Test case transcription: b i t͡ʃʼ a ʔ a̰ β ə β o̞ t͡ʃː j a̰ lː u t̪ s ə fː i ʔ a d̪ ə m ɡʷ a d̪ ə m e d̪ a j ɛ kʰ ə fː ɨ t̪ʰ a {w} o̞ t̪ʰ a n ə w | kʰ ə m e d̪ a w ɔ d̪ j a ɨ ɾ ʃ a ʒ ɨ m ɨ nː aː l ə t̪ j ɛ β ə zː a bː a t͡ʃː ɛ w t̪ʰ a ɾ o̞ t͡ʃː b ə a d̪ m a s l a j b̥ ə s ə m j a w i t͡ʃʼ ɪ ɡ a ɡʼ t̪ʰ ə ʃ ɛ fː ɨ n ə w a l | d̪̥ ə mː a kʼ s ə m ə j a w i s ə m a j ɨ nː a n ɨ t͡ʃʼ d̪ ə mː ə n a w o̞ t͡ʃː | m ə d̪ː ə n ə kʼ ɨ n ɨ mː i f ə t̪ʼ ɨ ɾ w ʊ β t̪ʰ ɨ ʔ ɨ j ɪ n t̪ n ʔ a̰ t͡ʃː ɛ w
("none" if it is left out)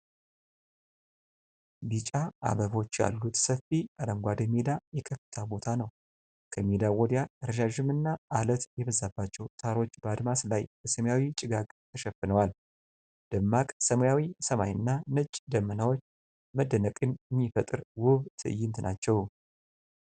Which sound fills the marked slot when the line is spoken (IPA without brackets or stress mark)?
b